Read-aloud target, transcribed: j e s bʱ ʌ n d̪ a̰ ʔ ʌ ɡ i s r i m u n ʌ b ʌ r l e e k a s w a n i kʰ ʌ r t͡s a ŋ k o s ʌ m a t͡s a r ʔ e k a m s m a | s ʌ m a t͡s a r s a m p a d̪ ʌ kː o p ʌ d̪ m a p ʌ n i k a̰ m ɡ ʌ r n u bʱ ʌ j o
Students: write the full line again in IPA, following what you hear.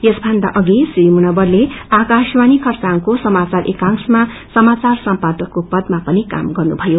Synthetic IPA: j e s bʱ ʌ n d̪ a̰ ʔ ʌ ɡ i s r i m u n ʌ b ʌ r l e a k a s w a n i kʰ ʌ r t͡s a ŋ k o s ʌ m a t͡s a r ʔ e k a ŋ s m a | s ʌ m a t͡s a r s ʌ m p a d̪ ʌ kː o p ʌ d̪ m a p ʌ n i k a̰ m ɡ ʌ r n u bʱ ʌ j o

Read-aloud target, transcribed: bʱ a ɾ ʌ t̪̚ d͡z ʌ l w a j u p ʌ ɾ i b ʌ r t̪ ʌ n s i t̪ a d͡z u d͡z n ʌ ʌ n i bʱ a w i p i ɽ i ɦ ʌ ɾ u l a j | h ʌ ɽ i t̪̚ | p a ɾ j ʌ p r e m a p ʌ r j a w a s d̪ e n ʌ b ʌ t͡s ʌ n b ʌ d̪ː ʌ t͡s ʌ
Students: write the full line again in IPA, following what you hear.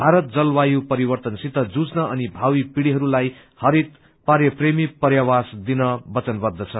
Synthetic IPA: bʱ a ɾ ʌ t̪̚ d͡z ʌ l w a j u p ʌ ɾ i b ʌ r t̪ ʌ n s i t̪ ʌ d͡z u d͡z n ʌ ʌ n i bʱ a w i p i ɽ i ɦ ʌ ɾ u l a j | h ʌ ɾ i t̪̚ | p a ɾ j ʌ p r e m i p ʌ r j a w a s d̪ i n ʌ b ʌ t͡s ʌ n b ʌ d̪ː ʌ t͡sʰ ʌ

